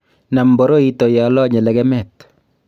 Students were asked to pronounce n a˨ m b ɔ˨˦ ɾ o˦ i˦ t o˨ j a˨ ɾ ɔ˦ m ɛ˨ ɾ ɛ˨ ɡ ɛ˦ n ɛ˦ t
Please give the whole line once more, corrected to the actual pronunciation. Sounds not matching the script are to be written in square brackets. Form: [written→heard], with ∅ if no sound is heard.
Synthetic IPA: n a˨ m b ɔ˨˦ ɾ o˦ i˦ t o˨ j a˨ [ɾ→l] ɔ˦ [m→ɲ] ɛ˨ [ɾ→l] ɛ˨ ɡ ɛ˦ [n→m] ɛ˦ t